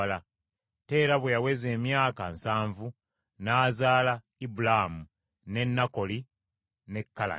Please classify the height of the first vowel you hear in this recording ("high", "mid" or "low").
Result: low